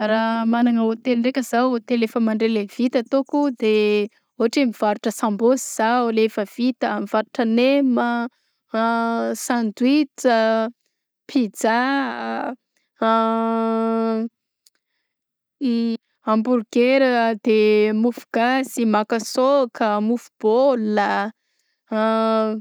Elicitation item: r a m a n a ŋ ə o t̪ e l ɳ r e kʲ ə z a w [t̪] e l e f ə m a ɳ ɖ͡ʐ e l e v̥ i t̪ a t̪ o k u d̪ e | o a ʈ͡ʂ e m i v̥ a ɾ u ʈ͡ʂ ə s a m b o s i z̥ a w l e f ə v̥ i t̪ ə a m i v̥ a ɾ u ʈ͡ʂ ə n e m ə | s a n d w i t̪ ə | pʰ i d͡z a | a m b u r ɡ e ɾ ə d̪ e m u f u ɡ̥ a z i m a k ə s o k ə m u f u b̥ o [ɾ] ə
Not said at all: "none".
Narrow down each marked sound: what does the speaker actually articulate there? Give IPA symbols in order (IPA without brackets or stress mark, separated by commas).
t̪, l